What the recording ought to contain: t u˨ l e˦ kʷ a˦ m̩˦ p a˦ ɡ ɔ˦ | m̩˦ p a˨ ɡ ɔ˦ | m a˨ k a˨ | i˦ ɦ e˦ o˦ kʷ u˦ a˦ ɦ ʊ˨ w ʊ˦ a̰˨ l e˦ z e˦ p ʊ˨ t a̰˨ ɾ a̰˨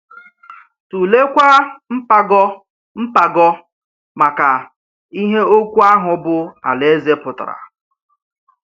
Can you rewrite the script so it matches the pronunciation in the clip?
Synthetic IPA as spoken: t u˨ l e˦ kʷ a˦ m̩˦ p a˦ ɡ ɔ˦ | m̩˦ p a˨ ɡ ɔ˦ | m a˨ k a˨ | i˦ ɦ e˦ o˦ kʷ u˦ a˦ ɦ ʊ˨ b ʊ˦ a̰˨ l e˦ z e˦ p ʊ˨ t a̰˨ ɾ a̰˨